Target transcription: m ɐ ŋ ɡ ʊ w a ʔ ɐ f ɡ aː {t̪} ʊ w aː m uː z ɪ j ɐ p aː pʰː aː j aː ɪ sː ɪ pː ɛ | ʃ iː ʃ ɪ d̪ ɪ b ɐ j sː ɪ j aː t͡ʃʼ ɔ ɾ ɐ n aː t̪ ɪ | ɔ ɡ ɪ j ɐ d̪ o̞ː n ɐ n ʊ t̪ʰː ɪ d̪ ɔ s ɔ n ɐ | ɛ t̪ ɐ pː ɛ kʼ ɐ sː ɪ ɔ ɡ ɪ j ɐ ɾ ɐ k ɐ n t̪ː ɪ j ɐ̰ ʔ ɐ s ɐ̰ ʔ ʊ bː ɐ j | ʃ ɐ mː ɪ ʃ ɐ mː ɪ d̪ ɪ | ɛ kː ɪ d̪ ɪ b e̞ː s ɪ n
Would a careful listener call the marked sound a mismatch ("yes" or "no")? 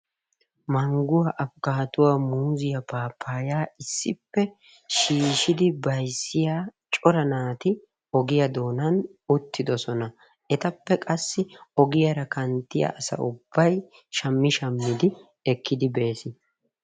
no